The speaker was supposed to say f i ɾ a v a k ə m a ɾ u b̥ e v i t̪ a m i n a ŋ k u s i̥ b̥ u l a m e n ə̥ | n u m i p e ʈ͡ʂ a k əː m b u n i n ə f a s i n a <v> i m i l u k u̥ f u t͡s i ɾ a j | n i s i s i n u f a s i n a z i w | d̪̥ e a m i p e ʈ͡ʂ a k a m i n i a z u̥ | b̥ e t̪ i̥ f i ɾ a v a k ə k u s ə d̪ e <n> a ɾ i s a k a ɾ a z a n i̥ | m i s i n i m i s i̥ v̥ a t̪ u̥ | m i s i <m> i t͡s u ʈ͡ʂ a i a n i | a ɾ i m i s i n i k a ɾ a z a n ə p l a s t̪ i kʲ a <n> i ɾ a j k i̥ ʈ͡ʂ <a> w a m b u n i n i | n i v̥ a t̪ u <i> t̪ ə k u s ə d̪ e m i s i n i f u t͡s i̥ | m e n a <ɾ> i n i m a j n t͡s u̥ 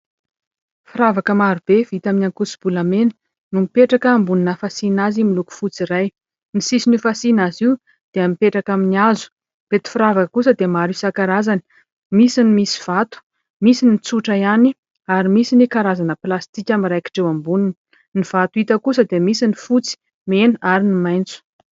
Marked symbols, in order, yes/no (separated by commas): no, no, no, no, no, yes, yes